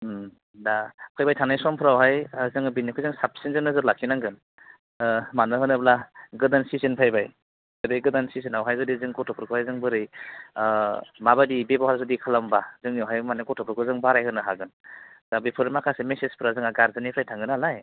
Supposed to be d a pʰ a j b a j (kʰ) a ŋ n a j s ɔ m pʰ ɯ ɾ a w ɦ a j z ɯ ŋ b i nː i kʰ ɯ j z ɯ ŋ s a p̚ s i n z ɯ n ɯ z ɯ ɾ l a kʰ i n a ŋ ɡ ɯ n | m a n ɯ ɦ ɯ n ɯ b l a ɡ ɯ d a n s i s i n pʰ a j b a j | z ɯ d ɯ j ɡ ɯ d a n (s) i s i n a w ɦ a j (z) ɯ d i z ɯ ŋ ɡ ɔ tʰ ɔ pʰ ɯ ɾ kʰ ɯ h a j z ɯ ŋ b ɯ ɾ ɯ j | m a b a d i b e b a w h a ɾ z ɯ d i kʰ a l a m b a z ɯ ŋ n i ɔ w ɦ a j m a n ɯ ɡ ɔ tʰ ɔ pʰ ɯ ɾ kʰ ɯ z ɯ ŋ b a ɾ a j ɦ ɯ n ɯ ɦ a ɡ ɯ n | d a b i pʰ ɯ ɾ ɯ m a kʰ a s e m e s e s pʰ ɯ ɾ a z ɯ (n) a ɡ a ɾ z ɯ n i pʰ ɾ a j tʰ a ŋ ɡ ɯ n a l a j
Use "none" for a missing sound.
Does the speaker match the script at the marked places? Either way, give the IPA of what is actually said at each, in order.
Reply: tʰ, s, z, ŋ

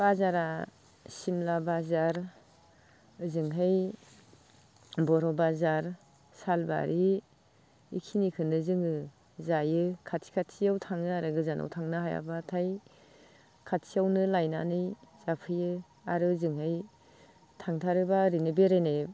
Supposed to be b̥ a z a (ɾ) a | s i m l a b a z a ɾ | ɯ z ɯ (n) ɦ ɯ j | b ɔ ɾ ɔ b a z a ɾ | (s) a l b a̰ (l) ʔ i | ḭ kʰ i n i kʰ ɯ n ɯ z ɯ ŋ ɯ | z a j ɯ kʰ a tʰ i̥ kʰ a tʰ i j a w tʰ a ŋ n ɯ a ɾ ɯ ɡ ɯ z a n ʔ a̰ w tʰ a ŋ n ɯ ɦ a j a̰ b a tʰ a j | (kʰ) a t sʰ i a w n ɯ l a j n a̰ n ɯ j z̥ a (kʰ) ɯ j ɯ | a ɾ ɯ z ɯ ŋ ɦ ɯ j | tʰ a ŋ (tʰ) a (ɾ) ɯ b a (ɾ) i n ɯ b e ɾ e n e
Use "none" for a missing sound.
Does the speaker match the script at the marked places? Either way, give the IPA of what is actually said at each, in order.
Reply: ɾ, ŋ, s, ɾ, kʰ, pʰ, tʰ, ɾ, ɾ

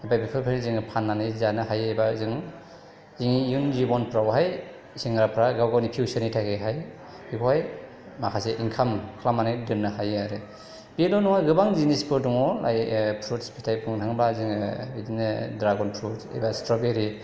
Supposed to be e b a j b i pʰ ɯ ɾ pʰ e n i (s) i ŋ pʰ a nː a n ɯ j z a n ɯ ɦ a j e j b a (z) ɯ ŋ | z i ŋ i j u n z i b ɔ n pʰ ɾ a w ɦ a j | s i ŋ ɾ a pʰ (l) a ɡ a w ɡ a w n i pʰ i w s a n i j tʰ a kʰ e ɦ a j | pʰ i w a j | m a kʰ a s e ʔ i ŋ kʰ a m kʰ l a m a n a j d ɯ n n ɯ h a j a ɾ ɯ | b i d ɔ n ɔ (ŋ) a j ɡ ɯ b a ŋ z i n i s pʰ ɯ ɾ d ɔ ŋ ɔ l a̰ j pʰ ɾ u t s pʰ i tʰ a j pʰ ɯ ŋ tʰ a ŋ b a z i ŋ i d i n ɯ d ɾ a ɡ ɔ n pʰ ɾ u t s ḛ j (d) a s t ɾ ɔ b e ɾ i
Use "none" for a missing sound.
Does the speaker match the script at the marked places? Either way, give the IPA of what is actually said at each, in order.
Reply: z, z, ɾ, ŋ, b

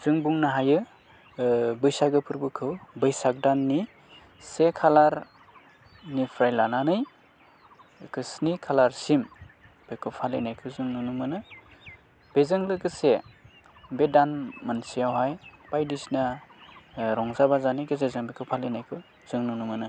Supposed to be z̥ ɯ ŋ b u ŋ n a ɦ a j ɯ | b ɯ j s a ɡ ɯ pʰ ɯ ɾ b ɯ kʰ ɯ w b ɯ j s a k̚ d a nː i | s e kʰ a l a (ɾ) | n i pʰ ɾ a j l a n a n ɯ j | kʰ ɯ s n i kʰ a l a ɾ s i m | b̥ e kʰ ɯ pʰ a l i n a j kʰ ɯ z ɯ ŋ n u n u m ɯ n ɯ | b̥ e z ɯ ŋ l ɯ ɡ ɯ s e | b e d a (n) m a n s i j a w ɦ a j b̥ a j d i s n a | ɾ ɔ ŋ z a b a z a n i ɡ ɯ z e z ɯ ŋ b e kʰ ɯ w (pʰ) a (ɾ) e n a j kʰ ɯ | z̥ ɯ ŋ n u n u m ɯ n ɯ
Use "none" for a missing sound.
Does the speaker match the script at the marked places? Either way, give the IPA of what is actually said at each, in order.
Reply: ɾ, n, pʰ, l

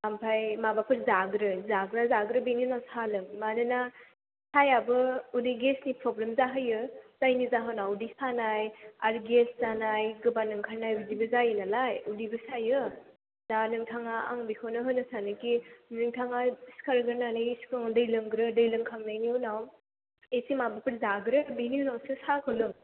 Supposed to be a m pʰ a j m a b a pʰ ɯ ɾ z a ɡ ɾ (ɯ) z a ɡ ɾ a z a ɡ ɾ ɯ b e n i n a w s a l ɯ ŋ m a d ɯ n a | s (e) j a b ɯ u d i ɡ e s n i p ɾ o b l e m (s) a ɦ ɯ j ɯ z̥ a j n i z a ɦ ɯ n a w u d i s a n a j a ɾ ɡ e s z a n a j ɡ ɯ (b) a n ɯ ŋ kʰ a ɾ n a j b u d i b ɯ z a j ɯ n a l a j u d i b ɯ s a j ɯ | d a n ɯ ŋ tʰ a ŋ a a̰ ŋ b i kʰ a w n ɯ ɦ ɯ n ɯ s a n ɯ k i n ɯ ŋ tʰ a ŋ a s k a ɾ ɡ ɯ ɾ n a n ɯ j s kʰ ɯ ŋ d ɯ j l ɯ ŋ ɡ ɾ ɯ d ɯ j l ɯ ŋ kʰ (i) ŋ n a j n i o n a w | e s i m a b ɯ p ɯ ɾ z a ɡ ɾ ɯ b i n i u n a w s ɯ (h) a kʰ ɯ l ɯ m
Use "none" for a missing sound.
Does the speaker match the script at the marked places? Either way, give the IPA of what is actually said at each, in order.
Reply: ɯ, a, z, b, a, s

